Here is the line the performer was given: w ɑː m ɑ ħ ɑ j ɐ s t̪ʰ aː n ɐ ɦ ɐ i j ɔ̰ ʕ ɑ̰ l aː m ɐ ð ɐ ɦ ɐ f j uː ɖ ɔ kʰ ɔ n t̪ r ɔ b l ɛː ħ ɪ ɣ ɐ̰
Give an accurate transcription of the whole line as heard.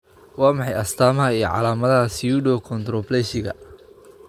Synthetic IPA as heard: w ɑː m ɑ ħ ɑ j ɐ s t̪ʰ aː m ɐ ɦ ɐ i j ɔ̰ ʕ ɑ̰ l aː m ɐ ð ɐ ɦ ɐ s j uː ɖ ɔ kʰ ɔ n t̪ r ɔ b l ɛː ʃ ɪ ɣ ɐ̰